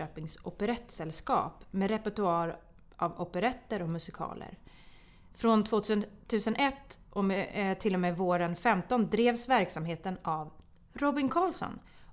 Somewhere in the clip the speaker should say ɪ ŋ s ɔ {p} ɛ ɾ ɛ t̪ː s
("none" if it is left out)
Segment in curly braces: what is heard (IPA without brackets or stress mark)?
p